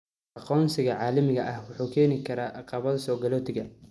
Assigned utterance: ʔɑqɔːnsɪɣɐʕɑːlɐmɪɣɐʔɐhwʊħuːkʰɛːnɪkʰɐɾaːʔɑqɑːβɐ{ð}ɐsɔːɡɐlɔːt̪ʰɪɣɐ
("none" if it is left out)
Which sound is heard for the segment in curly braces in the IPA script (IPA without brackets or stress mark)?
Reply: ð